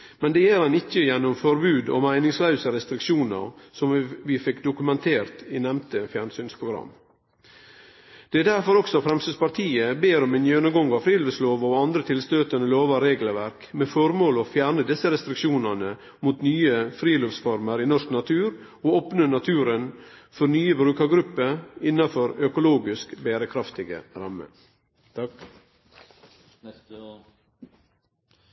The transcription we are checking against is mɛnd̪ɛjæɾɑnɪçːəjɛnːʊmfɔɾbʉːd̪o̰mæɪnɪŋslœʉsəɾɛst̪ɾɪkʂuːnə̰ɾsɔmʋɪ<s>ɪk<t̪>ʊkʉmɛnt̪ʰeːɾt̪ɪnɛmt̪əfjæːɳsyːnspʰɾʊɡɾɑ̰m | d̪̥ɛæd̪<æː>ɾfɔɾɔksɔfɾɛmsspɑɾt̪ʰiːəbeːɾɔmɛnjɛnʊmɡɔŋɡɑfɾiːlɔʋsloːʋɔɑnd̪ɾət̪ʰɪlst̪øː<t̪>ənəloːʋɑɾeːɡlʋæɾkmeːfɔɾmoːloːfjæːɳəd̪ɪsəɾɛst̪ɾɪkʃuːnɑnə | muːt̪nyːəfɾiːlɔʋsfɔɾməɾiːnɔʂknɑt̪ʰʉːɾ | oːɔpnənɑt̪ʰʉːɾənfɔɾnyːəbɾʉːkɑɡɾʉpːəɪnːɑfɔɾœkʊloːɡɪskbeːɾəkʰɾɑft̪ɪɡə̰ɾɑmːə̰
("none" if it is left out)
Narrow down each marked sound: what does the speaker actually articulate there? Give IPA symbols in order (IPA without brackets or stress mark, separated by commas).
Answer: f, d̪, æ, t̪